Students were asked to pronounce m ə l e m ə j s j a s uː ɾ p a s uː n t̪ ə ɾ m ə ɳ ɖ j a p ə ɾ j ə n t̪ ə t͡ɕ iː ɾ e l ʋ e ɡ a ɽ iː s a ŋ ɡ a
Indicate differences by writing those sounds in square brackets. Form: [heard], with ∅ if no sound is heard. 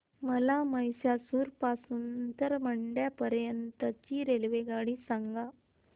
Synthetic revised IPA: m ə l [a] m ə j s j a s uː ɾ p a s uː n t̪ ə ɾ m ə ɳ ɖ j a p ə ɾ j ə n t̪ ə t͡ɕ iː ɾ e l ʋ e ɡ a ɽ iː s a ŋ ɡ a